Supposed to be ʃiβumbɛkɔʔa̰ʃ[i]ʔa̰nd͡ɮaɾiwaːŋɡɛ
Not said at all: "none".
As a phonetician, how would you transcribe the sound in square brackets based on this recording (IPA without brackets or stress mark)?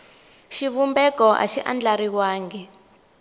i